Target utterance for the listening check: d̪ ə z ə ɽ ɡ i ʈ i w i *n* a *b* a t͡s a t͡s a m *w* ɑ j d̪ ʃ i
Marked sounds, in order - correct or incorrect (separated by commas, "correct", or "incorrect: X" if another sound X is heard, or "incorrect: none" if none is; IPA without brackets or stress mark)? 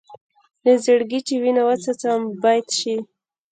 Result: correct, incorrect: w, incorrect: b